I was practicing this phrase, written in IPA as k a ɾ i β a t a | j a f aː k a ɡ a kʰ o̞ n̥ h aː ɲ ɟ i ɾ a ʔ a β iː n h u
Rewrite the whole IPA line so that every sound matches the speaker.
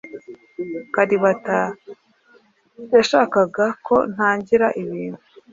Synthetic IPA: k a ɾ i β a t a | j a ʃ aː k a ɡ a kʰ o̞ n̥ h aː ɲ ɟ i ɾ a ʔ i β iː n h u